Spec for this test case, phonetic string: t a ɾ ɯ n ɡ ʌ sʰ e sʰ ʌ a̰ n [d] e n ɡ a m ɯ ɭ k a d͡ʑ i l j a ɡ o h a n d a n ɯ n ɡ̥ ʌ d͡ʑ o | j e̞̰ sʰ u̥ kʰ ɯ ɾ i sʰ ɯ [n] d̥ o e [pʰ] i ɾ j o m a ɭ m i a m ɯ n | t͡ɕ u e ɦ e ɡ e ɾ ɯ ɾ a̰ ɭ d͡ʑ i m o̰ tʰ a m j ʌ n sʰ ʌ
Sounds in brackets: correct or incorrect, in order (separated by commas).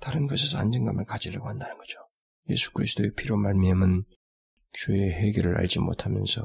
incorrect, incorrect, correct